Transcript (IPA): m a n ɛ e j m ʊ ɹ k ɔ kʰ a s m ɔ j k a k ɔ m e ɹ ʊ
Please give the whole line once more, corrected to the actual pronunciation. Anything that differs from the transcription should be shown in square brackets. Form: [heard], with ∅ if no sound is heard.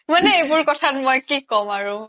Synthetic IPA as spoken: m a n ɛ e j [b] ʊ ɹ k ɔ [tʰ] a [t] m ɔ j k [i] k ɔ m [a] ɹ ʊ